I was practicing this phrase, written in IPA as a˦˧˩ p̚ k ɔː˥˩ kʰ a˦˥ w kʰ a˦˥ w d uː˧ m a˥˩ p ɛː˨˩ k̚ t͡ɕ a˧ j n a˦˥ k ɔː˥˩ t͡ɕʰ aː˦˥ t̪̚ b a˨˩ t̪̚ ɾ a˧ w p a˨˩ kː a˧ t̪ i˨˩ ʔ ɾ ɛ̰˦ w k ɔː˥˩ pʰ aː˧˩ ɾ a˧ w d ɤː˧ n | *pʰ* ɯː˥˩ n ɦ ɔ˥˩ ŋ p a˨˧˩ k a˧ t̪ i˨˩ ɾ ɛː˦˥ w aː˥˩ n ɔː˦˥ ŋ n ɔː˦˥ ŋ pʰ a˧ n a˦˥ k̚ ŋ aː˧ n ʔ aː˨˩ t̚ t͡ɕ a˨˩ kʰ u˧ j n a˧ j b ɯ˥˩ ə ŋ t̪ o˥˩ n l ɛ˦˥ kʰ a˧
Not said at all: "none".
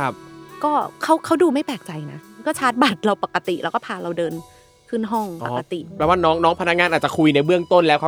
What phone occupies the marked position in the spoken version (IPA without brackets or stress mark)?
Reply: kʰ